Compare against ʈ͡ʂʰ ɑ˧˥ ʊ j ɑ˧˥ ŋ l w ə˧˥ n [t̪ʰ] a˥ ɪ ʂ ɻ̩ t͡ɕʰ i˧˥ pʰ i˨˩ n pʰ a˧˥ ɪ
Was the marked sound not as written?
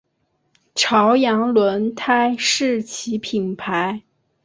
no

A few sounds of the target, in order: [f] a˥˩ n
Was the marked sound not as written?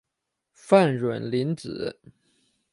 no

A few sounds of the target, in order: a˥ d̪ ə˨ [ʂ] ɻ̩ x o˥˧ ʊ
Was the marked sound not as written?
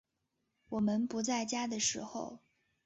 no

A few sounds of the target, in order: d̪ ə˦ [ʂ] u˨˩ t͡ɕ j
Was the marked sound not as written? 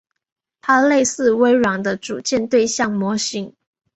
yes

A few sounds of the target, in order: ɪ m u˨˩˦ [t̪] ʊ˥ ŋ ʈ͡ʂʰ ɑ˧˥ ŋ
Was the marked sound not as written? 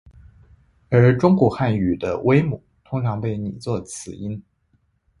yes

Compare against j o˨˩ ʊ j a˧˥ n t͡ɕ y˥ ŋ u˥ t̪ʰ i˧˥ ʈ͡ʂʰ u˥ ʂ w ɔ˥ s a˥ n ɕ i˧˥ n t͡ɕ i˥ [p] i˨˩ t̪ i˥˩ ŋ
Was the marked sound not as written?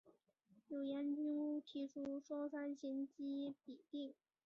no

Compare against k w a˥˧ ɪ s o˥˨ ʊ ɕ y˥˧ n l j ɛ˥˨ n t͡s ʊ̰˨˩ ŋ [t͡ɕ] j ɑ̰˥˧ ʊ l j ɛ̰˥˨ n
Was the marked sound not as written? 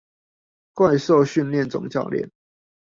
no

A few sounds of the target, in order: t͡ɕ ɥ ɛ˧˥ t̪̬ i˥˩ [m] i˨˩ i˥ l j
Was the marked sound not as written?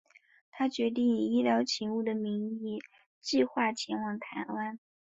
yes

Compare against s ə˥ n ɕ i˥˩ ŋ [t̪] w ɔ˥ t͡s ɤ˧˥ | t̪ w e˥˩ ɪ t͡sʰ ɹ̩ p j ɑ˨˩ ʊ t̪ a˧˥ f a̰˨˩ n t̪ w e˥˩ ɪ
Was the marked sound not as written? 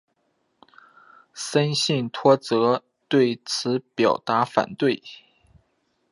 yes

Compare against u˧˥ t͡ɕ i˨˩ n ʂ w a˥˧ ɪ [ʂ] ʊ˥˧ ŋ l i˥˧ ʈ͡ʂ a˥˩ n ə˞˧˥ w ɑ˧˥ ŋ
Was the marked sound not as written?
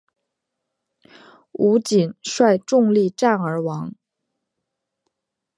yes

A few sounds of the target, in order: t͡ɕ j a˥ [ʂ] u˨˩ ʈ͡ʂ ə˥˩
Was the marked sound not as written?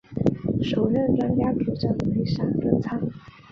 yes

